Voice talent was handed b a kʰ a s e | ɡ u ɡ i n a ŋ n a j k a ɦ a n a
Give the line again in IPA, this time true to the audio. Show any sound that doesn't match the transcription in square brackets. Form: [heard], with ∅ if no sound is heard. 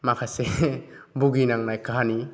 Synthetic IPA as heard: [m] a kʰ a s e | [b] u ɡ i n a ŋ n a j k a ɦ a n [i]